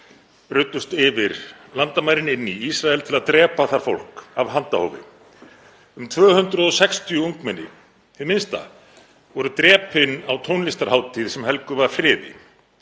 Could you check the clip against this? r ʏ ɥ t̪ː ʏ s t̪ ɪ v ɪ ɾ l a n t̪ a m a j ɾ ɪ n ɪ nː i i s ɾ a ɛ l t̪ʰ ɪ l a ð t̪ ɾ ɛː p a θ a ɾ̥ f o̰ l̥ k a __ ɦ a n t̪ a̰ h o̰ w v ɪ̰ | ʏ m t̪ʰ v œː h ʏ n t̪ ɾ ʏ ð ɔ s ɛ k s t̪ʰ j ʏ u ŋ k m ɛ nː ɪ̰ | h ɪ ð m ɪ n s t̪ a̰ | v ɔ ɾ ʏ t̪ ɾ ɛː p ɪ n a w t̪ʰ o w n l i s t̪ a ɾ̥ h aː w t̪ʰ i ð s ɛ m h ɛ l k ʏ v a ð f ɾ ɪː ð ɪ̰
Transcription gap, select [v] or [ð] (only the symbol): v